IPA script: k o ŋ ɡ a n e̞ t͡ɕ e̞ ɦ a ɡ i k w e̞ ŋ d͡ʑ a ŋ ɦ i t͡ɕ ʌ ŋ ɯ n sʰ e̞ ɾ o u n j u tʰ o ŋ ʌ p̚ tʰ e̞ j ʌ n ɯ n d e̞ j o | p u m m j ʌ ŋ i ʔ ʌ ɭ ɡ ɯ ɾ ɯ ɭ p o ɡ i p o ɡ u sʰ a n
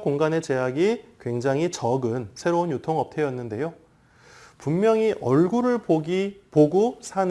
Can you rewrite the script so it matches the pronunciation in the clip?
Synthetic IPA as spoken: k o ŋ ɡ a n e̞ t͡ɕ e̞ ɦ a ɡ i k w e̞ ŋ d͡ʑ a ŋ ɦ i t͡ɕ ʌ ɡ ɯ n sʰ e̞ ɾ o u n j u tʰ o ŋ ʌ p̚ tʰ e̞ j ʌ nː ɯ n d e̞ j o | p u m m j ʌ ŋ i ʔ ʌ ɭ ɡ u ɾ ɯ ɭ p o ɡ i p o ɡ u sʰ a n

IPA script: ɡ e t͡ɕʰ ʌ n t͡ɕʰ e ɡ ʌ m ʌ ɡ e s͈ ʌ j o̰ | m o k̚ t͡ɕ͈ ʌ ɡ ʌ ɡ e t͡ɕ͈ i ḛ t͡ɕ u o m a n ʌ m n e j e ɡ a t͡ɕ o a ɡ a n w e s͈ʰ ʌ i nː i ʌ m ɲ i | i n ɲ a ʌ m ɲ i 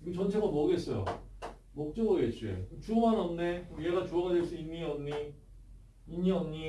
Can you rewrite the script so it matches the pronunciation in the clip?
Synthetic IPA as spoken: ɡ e t͡ɕ ʌ n t͡ɕʰ e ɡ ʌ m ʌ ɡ e s͈ ʌ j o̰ | m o k̚ t͡ɕ͈ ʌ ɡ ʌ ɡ e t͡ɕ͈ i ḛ t͡ɕ u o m a n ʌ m n e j e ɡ a t͡ɕ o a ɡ a d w e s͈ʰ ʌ i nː i ʌ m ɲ i | i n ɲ i ʌ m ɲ i

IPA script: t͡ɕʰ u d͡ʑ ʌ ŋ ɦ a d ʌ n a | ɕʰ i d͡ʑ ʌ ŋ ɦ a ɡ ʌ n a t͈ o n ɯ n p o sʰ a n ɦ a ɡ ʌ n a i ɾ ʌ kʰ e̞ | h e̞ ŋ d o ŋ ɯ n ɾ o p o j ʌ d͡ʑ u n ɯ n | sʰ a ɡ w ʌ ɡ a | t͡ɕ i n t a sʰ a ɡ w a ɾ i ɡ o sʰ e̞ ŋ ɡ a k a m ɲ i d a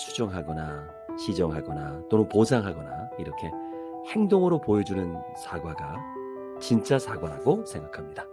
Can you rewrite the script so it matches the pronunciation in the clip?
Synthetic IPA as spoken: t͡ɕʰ u d͡ʑ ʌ ŋ ɦ a ɡ ʌ n a | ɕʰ i d͡ʑ ʌ ŋ ɦ a ɡ ʌ n a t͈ o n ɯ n p o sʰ a ŋ ɦ a ɡ ʌ n a i ɾ ʌ kʰ e̞ | h e̞ ŋ d o ŋ ɯ ɾ o p o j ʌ d͡ʑ u n ɯ n | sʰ a ɡ w a ɡ a | t͡ɕ i n t͡ɕ͈ a sʰ a ɡ w a ɾ a ɡ o sʰ e̞ ŋ ɡ a kʰ a m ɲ i d a

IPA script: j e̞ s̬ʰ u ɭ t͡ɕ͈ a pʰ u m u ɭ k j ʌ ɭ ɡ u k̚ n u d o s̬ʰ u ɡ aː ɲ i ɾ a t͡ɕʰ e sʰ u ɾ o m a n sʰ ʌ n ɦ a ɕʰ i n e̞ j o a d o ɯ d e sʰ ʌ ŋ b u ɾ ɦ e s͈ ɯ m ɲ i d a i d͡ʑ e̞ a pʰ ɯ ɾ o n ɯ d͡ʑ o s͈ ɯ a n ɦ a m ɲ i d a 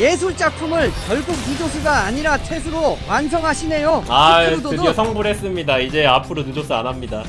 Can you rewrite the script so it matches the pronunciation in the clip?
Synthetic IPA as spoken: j e̞ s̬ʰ u ɭ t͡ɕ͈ a pʰ u m ɯ ɭ k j ʌ ɭ ɡ u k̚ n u d͡ʑ o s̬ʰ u ɡ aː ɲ i ɾ a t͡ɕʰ e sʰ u ɾ o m a n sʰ ʌ ŋ ɦ a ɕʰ i n e̞ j o a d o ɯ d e sʰ ʌ ŋ b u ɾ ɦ e s͈ ɯ m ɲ i d a i d͡ʑ e̞ a pʰ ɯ ɾ o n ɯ d͡ʑ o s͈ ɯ a n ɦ a m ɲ i d a

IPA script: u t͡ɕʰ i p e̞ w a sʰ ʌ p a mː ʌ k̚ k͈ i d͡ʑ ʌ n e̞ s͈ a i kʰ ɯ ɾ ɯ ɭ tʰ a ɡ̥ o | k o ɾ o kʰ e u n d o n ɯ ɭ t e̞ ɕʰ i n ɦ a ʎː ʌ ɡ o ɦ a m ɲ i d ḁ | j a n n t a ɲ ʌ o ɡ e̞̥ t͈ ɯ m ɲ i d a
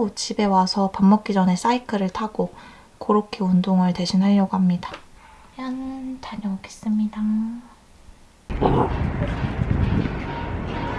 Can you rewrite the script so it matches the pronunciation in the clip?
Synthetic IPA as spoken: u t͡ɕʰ i b e̞ w a sʰ ʌ p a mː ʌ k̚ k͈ i d͡ʑ ʌ n e̞ s͈ a i kʰ ɯ ɾ ɯ ɭ tʰ a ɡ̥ o | k o ɾ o kʰ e u n d o ŋ ɯ ɭ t e̞ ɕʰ i n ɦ a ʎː ʌ ɡ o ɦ a m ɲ i d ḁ | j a n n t a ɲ ʌ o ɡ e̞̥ s͈ ɯ m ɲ i d a

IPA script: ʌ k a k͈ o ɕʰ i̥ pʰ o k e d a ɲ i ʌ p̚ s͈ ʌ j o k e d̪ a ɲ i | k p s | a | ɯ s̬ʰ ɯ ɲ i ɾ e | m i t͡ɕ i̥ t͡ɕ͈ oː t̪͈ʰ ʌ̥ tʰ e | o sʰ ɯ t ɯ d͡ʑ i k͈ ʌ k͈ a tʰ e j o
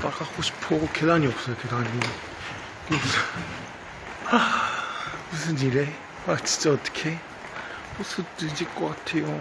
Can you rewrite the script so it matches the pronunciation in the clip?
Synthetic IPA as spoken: a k a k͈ o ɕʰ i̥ pʰ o k e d a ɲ i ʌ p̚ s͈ ʌ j o k e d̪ a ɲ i | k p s | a | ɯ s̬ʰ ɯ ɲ i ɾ e | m a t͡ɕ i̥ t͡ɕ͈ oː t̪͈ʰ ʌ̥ kʰ e | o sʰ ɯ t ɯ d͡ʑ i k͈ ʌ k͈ a tʰ e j o

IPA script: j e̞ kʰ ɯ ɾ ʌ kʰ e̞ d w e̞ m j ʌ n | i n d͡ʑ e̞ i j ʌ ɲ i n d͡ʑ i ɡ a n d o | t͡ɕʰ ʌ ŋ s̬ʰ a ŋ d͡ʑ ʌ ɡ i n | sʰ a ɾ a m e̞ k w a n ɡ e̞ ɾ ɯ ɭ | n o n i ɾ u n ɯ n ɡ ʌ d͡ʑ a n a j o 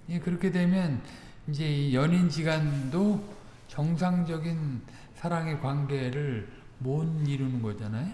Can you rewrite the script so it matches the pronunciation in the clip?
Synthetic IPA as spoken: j e̞ k ɯ ɾ ʌ kʰ e̞ d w e̞ m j ʌ n | i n d͡ʑ e̞ i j ʌ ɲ i n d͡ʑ i ɡ a n d o | t͡ɕ ʌ ŋ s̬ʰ a ŋ d͡ʑ ʌ ɡ i n | sʰ a ɾ a ŋ e̞ k w a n ɡ e̞ ɾ ɯ ɭ | m o n i ɾ u n ɯ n ɡ ʌ d͡ʑ a n a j o

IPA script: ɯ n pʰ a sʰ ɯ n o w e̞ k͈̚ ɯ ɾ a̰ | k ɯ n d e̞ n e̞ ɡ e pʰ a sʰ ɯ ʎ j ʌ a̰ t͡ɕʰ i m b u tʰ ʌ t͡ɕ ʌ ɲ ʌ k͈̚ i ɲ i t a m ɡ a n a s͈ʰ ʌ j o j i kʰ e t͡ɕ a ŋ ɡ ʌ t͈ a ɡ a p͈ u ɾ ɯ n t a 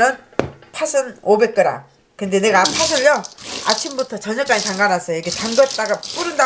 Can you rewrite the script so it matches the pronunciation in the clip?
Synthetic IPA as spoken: ɯ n pʰ a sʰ ɯ n o b e̞ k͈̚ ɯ ɾ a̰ | k ɯ n d e̞ n e̞ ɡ a pʰ a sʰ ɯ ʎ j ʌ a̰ t͡ɕʰ i m b u tʰ ʌ t͡ɕ ʌ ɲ ʌ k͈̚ a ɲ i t a ŋ ɡ a n a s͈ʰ ʌ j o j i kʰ e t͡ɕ a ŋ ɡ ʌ t͈ a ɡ a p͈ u ɾ ɯ n d a

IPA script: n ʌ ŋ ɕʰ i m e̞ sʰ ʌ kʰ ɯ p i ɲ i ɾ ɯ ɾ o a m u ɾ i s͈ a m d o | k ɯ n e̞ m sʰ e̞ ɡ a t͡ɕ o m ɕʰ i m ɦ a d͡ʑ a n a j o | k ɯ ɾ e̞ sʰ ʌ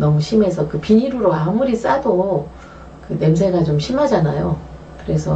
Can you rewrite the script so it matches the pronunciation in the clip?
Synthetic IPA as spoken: n ʌ ŋ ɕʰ i m e̞ sʰ ʌ k ɯ p i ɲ i ɾ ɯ ɾ o a m u ɾ i s͈ a d o | k ɯ n e̞ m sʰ e̞ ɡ a t͡ɕ o m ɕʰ i m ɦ a d͡ʑ a n a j o | k ɯ ɾ e̞ sʰ ʌ

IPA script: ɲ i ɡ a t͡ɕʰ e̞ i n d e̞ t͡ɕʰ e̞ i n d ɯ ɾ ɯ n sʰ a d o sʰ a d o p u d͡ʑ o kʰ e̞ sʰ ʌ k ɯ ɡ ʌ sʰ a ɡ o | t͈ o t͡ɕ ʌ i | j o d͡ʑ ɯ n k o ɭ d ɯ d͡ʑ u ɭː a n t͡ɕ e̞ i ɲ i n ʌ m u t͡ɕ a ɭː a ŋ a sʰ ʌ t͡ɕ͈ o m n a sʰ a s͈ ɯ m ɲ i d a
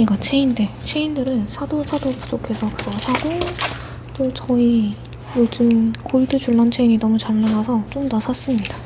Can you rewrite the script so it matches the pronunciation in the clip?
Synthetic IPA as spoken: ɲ i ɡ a t͡ɕʰ e̞ i n d e̞ t͡ɕʰ e̞ i n d ɯ ɾ ɯ n sʰ a d o sʰ a d o p u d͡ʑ o kʰ e̞ sʰ ʌ k ɯ ɡ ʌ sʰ a ɡ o | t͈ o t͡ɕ ʌ i | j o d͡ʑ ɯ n k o ɭ d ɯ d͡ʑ u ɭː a n t͡ɕʰ e̞ i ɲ i n ʌ m u t͡ɕ a ɭː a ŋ a sʰ ʌ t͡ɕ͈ o m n a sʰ a s͈ ɯ m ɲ i d a

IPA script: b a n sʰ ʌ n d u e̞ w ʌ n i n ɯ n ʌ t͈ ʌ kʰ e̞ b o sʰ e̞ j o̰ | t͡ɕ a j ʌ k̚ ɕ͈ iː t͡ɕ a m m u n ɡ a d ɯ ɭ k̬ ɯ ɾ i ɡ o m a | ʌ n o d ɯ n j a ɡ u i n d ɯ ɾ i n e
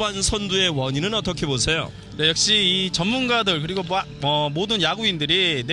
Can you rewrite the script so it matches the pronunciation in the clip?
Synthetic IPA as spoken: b a n sʰ ʌ n d u e̞ w ʌ ɲ i n ɯ n ʌ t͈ ʌ kʰ e̞ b o sʰ e̞ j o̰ | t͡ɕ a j ʌ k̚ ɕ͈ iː t͡ɕ ʌ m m u n ɡ a d ɯ ɭ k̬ ɯ ɾ i ɡ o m a | ʌ m o d ɯ n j a ɡ u i n d ɯ ɾ i n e

